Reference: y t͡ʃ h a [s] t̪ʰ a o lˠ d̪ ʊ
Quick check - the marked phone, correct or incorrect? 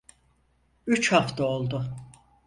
incorrect